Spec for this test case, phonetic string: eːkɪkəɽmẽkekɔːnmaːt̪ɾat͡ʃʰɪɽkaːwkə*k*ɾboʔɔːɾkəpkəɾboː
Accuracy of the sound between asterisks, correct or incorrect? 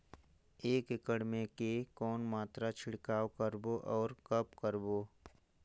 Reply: incorrect